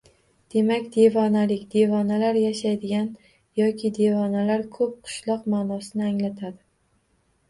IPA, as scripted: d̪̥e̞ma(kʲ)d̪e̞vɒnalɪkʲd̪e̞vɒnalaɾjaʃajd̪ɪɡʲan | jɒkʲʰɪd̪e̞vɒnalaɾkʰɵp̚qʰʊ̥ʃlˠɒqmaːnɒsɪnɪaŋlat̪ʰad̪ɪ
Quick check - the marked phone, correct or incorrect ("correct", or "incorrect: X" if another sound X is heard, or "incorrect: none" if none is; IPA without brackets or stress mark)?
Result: correct